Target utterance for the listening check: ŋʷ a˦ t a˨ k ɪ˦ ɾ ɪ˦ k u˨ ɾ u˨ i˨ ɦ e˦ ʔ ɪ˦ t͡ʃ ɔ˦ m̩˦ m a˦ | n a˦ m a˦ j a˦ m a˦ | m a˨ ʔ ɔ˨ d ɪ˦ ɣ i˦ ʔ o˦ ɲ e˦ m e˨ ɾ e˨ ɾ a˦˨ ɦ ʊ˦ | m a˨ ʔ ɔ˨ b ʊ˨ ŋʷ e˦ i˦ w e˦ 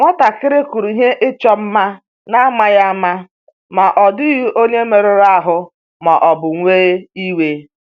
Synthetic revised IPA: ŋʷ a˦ t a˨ k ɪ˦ ɾ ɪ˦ k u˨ ɾ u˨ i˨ ɦ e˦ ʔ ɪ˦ t͡ʃ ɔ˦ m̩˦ m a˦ | n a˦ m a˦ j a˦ m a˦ | m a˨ ʔ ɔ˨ d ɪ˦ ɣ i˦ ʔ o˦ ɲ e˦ m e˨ ɾ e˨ ɾ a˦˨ ɦ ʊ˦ | m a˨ ʔ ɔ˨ b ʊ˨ ŋʷ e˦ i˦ w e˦